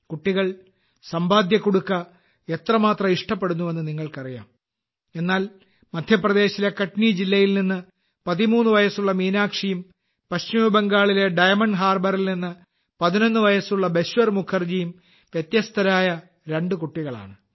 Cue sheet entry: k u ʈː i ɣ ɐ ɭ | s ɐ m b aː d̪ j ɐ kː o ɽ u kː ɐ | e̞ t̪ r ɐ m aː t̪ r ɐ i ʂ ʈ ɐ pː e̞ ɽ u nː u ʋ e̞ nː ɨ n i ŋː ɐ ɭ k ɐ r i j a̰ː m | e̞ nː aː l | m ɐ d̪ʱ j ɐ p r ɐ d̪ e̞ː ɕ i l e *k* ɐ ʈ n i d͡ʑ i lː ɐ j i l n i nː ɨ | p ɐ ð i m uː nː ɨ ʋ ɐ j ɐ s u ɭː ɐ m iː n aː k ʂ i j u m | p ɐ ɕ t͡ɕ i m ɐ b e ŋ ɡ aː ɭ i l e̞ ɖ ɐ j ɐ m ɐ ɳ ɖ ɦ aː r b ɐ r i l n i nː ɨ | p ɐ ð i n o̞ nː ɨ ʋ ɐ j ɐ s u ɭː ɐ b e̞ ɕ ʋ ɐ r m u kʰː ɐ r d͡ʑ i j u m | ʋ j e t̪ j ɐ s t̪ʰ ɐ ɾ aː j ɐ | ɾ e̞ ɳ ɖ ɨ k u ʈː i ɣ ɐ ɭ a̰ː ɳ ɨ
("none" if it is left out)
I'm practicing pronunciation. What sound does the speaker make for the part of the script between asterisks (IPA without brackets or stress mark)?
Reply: k